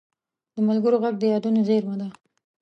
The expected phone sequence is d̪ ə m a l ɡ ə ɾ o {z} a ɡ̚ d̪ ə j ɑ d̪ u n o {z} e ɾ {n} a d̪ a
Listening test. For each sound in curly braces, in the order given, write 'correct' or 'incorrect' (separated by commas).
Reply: incorrect, correct, incorrect